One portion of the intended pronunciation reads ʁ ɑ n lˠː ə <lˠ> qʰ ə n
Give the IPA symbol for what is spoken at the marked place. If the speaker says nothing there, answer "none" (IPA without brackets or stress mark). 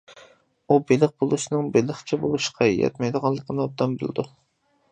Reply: none